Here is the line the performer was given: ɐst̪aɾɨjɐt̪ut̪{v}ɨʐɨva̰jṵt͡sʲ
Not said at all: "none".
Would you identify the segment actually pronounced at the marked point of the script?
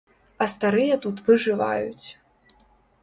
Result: v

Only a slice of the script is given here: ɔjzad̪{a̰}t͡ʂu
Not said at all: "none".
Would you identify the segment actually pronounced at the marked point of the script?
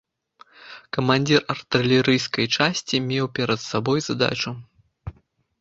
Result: a̰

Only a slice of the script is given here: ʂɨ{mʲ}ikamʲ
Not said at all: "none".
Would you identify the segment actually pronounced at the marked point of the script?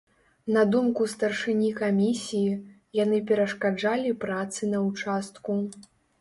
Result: nʲ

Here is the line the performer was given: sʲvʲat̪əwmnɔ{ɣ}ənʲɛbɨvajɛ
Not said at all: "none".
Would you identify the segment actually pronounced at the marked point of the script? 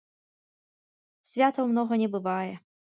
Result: ɣ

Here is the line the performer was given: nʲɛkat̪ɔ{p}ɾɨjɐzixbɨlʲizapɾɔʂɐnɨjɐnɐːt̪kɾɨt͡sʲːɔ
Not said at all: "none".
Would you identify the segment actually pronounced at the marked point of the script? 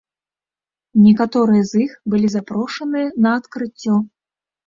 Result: none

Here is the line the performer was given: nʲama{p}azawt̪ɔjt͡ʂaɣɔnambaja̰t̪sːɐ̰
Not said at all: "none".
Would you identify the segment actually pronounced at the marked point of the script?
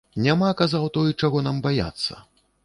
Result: k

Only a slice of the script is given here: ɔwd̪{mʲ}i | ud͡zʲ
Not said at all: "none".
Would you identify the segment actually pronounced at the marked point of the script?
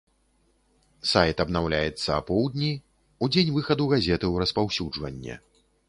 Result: nʲ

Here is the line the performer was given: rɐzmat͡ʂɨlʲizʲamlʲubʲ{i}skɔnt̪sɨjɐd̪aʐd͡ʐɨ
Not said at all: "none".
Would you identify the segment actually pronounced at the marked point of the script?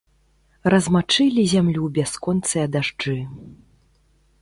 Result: a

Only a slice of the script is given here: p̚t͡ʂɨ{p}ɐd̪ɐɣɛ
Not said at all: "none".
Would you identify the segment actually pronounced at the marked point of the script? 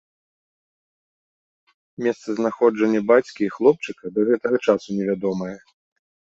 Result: k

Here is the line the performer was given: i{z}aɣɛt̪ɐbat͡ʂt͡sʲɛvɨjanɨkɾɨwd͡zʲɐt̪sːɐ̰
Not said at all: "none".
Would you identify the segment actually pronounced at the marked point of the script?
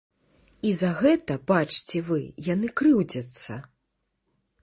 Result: z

